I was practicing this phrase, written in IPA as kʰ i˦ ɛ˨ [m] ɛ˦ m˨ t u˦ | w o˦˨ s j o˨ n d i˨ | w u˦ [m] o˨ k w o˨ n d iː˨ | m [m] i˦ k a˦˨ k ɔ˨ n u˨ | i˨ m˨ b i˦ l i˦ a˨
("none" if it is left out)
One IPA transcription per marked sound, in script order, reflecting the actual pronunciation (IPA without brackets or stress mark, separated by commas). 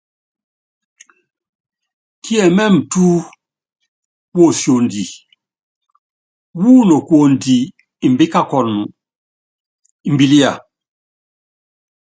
m, n, b